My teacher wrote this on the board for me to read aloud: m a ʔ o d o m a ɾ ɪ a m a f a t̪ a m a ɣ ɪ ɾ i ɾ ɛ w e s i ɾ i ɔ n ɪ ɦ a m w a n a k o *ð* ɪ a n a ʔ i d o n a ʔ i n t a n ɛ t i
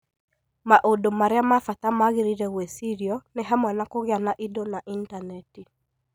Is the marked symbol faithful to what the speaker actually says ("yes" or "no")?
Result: no